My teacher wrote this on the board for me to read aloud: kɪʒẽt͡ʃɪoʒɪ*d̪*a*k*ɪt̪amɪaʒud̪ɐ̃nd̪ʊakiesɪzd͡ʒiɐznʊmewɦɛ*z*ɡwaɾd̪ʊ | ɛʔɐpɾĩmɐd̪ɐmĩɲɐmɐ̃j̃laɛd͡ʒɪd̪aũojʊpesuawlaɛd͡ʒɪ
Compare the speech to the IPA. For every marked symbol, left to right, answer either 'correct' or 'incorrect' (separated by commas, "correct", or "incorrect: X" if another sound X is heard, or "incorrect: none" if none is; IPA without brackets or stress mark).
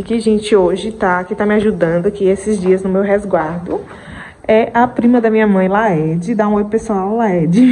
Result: incorrect: t̪, correct, correct